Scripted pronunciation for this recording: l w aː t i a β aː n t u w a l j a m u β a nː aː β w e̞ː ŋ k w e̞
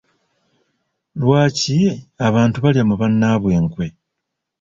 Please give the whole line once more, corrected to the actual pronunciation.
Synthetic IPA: l w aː c i a β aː n t u β a l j a m u β a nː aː β w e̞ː ŋ k w e̞